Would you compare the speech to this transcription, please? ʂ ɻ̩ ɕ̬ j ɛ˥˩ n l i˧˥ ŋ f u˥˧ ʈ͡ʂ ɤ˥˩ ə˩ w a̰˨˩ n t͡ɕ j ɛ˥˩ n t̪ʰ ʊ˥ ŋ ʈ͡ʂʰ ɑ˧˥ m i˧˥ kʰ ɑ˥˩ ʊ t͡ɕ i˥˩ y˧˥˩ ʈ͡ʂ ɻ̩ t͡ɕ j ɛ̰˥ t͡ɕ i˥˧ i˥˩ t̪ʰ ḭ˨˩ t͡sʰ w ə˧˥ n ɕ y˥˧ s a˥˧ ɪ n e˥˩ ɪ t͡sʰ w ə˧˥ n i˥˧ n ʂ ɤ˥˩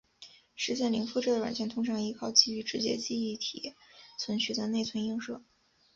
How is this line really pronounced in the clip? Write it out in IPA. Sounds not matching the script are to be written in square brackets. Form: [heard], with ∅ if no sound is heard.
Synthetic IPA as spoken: ʂ ɻ̩ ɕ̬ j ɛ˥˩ n l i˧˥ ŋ f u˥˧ ʈ͡ʂ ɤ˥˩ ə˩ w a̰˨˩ n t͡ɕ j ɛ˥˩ n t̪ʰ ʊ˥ ŋ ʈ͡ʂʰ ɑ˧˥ [ŋ] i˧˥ kʰ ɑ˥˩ ʊ t͡ɕ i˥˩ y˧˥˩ ʈ͡ʂ ɻ̩ t͡ɕ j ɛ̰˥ t͡ɕ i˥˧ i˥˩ t̪ʰ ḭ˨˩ t͡sʰ w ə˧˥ n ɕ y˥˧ [t͡s] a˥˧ ɪ n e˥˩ ɪ t͡sʰ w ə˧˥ n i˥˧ [ŋ] ʂ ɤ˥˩